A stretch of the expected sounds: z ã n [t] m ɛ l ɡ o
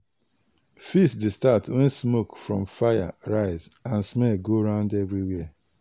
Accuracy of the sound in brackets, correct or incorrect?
incorrect